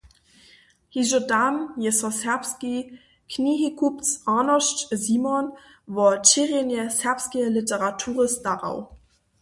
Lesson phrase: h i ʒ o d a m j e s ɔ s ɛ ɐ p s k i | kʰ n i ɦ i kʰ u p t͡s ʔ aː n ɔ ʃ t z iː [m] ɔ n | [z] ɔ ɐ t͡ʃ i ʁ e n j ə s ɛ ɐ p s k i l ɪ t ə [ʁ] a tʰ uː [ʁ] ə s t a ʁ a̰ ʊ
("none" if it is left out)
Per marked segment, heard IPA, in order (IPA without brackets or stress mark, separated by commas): m, v, ʁ, ʁ